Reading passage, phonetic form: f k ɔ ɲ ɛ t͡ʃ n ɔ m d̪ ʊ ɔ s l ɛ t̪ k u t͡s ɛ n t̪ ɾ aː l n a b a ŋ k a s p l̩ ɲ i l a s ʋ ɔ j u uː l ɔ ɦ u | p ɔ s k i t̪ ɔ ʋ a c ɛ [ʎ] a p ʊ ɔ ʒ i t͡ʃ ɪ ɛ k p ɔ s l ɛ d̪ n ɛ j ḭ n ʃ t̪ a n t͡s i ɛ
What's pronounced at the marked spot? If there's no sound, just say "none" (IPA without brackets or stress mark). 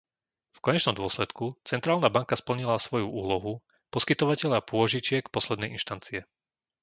ʎ